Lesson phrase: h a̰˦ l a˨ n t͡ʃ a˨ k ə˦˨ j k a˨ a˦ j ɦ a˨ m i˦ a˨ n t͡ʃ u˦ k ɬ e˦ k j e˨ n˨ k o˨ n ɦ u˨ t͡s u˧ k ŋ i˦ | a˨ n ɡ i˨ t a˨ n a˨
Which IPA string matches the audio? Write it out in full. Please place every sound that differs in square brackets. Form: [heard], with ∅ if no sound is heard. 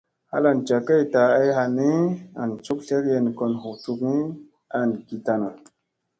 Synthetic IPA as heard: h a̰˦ l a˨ n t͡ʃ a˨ k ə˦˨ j [t] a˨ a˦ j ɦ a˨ [n] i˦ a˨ n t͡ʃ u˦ k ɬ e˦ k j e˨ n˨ k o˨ n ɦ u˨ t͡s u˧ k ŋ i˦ | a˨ n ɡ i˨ t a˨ n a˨